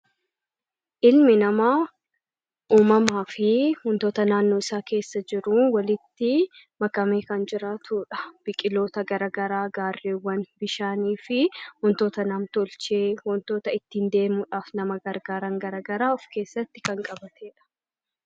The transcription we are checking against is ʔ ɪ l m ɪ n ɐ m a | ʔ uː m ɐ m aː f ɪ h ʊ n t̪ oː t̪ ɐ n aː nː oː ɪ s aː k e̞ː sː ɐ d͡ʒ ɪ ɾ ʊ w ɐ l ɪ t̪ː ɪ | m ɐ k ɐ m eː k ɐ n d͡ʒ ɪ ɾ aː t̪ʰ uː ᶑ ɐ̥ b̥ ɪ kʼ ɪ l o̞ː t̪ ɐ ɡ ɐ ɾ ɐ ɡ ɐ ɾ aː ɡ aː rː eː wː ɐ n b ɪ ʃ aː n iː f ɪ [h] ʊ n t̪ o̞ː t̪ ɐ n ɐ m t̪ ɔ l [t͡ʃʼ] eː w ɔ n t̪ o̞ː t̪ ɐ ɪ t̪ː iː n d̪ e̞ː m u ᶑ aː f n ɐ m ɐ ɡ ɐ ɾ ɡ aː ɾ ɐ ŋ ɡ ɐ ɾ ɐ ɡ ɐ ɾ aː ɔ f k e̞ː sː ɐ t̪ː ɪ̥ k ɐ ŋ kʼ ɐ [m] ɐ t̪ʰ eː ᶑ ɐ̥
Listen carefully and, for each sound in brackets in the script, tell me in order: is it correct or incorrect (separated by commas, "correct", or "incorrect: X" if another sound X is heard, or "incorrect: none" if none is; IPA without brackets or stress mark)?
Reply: correct, incorrect: t͡ʃ, incorrect: b